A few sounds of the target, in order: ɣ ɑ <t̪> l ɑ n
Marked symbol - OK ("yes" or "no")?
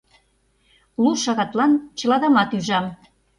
yes